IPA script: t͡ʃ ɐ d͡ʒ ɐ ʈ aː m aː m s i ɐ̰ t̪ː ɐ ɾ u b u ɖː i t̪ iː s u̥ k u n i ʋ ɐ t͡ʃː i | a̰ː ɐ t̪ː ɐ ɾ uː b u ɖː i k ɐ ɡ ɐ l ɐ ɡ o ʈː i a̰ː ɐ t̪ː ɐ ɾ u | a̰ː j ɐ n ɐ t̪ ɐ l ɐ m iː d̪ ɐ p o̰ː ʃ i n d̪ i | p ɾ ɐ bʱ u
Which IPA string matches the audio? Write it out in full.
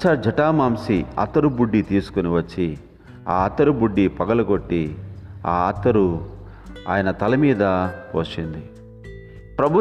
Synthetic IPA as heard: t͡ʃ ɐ d͡ʒ ɐ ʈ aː m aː m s i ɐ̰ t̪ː ɐ ɾ u b u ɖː i t̪ iː s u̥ k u n i ʋ ɐ t͡ʃː i | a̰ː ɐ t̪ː ɐ ɾ u b u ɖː i p ɐ ɡ ɐ l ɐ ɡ o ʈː i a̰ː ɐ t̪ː ɐ ɾ u | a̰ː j ɐ n ɐ t̪ ɐ l ɐ m iː d̪ ɐ p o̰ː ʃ i n d̪ i | p ɾ ɐ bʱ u